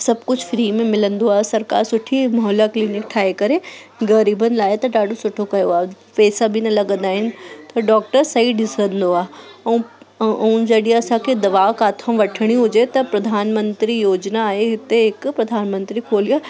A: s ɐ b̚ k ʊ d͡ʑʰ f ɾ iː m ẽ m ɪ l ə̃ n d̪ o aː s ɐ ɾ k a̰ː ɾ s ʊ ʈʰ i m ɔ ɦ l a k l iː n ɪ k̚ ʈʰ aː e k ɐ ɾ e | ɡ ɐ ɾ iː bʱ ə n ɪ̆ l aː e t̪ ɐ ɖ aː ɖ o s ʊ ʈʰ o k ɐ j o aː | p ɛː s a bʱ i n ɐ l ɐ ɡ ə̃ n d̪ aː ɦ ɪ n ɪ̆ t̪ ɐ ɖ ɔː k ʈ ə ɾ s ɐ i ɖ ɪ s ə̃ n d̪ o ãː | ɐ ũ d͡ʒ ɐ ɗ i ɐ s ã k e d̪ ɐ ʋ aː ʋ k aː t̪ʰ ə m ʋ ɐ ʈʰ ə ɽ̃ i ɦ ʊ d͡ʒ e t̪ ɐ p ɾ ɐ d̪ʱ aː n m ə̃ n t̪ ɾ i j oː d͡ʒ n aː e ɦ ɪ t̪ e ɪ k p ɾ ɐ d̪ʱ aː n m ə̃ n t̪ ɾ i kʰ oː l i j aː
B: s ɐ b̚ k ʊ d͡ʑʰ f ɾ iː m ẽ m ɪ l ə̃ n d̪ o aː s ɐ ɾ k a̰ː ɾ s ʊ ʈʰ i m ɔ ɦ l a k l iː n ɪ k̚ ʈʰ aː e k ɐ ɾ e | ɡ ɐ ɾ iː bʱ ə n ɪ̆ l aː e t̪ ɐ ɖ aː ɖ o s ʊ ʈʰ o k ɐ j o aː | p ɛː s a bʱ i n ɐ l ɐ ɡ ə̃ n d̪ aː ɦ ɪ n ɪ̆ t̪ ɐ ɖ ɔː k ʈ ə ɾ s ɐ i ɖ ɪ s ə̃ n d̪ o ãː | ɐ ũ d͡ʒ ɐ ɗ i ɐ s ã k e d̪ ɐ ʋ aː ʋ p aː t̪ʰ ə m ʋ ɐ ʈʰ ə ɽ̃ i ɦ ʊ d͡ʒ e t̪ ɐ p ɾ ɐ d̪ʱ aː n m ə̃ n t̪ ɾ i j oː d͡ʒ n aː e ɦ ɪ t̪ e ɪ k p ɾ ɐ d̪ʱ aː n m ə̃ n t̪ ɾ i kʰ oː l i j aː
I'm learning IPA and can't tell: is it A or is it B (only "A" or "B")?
A